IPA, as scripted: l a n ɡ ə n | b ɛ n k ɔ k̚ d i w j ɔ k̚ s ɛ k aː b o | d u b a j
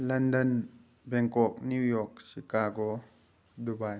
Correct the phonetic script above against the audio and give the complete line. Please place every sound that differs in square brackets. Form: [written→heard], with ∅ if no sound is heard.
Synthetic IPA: l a n [ɡ→d] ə n | b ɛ [n→ŋ] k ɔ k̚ [d→n] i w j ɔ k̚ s [ɛ→i] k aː [b→ɡ] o | d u b a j